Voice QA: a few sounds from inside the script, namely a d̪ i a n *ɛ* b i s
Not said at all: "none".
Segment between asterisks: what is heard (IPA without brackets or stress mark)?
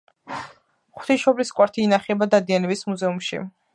ɛ